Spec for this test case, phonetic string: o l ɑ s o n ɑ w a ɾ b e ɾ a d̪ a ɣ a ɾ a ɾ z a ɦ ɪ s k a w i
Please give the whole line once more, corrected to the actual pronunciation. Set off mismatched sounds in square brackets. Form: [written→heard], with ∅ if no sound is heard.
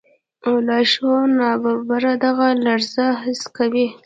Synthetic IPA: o l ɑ [s→ʃ] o n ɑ [w→b] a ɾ b [e→a] ɾ a d̪ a ɣ a [ɾ→l] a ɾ z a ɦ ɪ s k a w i